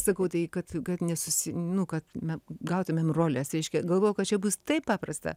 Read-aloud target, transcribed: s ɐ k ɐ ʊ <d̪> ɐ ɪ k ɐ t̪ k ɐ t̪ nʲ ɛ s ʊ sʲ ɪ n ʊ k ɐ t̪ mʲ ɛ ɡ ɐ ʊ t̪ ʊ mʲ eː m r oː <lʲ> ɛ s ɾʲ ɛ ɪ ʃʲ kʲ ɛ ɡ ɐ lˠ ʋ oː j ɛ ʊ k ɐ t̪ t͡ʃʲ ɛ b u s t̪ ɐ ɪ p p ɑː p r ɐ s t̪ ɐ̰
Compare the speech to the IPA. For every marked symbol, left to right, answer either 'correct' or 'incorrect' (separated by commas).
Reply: incorrect, correct